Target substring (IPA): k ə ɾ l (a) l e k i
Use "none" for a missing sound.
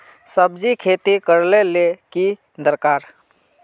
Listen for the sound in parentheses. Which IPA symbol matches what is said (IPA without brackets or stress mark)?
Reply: e